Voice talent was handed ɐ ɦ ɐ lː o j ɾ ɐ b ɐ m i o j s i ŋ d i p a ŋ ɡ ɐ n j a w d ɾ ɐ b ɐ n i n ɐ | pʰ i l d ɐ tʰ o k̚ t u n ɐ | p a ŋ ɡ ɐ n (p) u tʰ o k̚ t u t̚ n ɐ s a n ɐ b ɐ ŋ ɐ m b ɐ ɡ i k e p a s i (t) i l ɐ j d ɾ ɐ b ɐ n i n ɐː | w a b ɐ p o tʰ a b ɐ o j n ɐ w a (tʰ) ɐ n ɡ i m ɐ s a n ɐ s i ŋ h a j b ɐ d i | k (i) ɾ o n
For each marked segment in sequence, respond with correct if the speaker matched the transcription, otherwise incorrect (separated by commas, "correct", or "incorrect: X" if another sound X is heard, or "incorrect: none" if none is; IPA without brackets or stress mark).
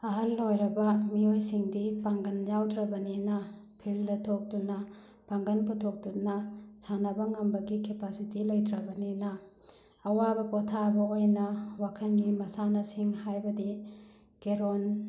correct, correct, incorrect: kʰ, incorrect: e